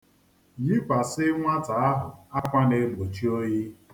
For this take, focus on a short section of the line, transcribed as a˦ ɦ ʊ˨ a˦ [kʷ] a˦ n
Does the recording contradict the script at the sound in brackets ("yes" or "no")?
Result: no